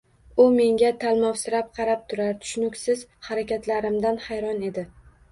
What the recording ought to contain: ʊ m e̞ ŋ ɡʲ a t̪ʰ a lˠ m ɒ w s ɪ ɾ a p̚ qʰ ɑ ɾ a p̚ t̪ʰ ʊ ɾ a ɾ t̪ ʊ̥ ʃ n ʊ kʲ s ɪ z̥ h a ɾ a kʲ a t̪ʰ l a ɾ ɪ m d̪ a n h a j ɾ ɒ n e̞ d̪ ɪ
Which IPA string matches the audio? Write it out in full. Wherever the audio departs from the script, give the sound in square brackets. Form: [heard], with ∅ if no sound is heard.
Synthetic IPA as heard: ʊ m e̞ ŋ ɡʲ a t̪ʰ a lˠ m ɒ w s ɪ ɾ a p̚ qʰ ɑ ɾ a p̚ t̪ʰ ʊ ɾ a ɾ [t̪ʰ] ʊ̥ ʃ n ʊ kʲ s ɪ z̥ h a ɾ a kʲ a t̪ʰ l a ɾ ɪ m d̪ a n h a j ɾ ɒ n e̞ d̪ ɪ